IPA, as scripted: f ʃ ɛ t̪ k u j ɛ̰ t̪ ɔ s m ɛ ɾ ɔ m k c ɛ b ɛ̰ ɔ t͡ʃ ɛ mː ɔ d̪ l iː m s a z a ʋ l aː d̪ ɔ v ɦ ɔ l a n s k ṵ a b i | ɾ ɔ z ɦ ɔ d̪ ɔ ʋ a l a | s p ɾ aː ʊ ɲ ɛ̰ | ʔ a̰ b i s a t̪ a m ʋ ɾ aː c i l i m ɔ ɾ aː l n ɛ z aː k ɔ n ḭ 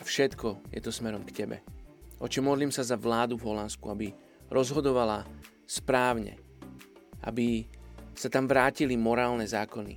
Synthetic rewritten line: f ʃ ɛ t̪ k ɔ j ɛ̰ t̪ ɔ s m ɛ ɾ ɔ m k c ɛ b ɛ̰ ɔ t͡ʃ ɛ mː ɔ d̪ l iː m s a z a ʋ l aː d̪ u v ɦ ɔ l a n s k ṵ a b i | ɾ ɔ z ɦ ɔ d̪ ɔ ʋ a l a | s p ɾ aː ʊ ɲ ɛ̰ | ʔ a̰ b i s a t̪ a m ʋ ɾ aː c i l i m ɔ ɾ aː l n ɛ z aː k ɔ n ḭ